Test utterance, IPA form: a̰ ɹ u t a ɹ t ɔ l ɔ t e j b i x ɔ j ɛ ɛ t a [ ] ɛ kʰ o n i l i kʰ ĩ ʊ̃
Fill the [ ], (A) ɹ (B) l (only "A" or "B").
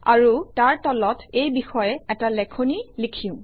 B